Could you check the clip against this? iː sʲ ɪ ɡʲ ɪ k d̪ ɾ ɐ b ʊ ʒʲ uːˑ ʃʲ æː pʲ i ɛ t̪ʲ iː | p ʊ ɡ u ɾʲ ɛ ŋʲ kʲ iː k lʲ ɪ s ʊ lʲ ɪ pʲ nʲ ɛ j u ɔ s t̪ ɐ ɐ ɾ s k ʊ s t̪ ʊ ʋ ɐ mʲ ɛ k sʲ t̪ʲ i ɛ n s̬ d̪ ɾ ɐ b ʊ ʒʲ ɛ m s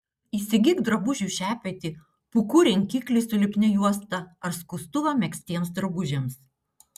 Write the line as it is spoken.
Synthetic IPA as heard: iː sʲ ɪ ɡʲ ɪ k d̪ ɾ ɐ b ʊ ʒʲ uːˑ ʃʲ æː pʲ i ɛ t̪ʲ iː | p ʊ k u ɾʲ ɛ ŋʲ kʲ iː k lʲ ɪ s ʊ lʲ ɪ pʲ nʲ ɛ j u ɔ s t̪ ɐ ɐ ɾ s k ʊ s t̪ ʊ ʋ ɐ mʲ ɛ k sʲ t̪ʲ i ɛ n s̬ d̪ ɾ ɐ b ʊ ʒʲ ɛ m s